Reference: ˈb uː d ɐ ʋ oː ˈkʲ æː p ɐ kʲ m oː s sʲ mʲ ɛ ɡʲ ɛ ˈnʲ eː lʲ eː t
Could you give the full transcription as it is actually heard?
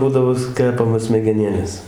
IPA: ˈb uː d ɐ ʋ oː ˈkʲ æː p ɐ m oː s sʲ mʲ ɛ ɡʲ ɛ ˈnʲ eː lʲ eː s

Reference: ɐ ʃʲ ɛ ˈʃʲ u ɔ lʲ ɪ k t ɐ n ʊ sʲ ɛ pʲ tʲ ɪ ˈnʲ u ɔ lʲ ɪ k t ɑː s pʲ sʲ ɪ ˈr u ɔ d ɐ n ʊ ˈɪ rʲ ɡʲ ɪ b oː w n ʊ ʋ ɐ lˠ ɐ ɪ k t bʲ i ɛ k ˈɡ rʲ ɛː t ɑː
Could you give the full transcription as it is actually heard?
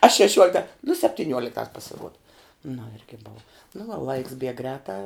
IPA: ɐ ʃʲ ɛ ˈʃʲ u ɔ lʲ ɪ k t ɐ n ʊ sʲ ɛ pʲ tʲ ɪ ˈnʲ u ɔ lʲ ɪ k t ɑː s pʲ sʲ ɪ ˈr u ɔ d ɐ n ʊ ˈɪ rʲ ɡʲ ɪ b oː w n ʊ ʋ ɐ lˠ ɐ ɪ k s bʲ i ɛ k ˈɡ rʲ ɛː t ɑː

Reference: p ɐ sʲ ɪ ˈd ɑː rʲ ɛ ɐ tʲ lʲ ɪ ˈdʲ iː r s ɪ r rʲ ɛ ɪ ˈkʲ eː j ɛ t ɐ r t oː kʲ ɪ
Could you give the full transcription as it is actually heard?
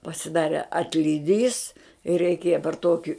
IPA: p ɐ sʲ ɪ ˈd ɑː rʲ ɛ ɐ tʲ lʲ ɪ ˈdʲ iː s ɪ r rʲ ɛ ɪ ˈkʲ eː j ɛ p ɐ r t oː kʲ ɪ

